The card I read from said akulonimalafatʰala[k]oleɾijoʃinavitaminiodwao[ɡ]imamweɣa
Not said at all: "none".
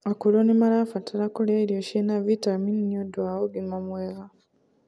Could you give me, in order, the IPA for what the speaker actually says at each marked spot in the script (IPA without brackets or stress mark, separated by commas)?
k, ɡ